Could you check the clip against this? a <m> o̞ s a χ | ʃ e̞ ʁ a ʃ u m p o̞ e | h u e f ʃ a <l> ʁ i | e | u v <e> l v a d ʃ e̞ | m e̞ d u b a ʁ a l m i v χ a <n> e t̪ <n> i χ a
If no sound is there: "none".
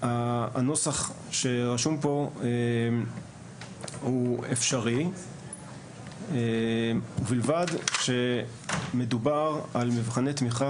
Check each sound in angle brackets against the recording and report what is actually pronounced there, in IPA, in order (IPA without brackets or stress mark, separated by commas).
n, none, i, n, m